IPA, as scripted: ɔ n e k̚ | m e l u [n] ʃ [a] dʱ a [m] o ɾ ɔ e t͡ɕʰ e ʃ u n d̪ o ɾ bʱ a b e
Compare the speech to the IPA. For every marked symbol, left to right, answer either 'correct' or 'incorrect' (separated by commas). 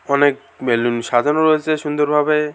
correct, correct, incorrect